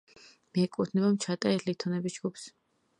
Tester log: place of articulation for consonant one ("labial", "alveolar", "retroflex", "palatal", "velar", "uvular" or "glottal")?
labial